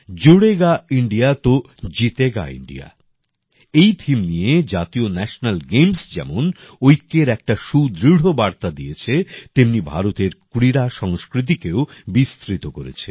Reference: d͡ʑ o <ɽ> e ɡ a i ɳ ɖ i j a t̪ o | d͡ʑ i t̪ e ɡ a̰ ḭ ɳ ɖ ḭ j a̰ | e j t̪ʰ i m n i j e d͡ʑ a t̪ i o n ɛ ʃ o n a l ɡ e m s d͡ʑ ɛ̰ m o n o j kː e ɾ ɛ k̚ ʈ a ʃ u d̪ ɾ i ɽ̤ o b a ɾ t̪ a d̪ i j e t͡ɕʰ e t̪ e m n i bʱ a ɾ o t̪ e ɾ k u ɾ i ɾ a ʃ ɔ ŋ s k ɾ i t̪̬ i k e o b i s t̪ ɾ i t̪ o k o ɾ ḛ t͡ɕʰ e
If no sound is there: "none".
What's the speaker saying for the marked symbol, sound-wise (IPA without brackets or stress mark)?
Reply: ɽ